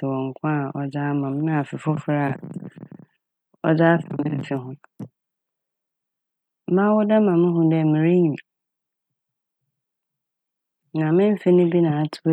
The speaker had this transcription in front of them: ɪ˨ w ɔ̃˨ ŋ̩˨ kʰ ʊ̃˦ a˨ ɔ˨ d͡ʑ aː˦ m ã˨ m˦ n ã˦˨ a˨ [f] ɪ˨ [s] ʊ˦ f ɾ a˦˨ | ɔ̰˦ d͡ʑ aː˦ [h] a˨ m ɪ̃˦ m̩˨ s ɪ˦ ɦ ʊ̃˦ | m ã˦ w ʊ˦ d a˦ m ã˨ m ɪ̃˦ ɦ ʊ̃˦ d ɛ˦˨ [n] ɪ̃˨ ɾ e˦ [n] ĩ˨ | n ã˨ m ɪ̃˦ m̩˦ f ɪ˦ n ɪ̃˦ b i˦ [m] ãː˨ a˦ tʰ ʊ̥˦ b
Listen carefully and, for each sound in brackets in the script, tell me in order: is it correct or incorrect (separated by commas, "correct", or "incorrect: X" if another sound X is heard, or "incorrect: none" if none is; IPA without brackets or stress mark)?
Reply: correct, incorrect: f, incorrect: f, incorrect: m, incorrect: ɲ, incorrect: n